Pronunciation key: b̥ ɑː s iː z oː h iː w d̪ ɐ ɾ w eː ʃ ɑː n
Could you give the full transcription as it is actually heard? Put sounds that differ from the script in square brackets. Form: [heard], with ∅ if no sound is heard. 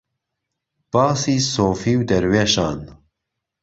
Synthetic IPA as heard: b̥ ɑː s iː [s] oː [f] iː w d̪ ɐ ɾ w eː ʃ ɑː n